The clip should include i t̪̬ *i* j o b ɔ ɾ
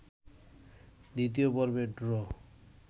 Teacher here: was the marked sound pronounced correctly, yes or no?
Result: yes